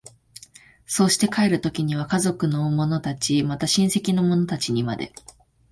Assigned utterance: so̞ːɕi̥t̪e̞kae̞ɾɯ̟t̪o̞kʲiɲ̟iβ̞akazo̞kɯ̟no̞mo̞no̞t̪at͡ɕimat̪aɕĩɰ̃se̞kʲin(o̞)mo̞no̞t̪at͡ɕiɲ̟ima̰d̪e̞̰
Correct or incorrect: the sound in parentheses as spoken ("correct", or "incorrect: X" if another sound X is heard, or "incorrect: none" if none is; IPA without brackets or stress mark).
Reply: correct